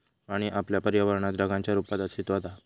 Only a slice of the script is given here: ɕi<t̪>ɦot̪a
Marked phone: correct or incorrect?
correct